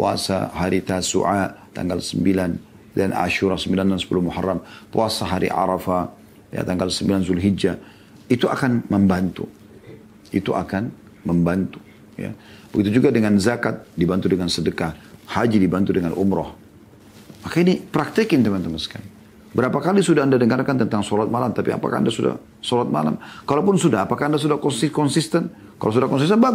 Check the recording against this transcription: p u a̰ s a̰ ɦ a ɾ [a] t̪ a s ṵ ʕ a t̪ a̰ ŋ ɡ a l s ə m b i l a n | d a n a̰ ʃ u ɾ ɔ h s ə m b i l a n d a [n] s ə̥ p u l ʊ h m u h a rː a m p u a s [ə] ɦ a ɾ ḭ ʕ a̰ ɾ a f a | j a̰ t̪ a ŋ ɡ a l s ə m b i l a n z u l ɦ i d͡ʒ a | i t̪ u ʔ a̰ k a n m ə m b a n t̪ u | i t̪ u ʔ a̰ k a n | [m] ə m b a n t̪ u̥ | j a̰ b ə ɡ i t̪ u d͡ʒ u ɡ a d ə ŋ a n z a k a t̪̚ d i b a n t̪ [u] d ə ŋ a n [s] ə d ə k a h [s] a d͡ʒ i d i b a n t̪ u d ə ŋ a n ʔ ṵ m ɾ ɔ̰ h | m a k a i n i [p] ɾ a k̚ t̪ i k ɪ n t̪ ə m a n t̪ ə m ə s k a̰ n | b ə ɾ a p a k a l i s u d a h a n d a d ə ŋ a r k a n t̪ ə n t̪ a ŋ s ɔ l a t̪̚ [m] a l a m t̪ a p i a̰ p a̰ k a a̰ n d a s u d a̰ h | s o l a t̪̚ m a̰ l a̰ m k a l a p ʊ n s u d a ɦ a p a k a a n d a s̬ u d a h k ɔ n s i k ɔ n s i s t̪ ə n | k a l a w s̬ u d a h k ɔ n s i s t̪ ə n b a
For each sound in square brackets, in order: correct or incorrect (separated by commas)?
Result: incorrect, correct, incorrect, correct, correct, correct, incorrect, correct, correct